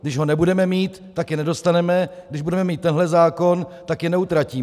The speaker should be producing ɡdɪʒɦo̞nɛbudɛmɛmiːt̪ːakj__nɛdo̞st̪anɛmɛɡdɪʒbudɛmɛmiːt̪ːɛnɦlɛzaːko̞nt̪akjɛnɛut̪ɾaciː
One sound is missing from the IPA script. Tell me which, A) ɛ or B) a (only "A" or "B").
A